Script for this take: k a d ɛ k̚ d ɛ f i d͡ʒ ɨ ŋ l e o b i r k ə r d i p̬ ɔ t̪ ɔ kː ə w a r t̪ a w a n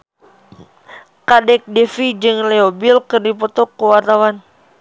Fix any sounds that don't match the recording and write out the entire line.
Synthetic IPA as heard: k a d ɛ k̚ d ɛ f i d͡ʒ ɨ ŋ l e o b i l k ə r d i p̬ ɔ t̪ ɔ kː ə w a r t̪ a w a n